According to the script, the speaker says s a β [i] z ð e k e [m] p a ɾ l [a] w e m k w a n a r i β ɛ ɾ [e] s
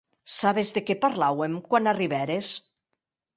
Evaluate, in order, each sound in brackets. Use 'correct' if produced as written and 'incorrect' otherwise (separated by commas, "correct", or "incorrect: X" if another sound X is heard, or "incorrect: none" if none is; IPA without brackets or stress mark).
incorrect: e, incorrect: none, correct, correct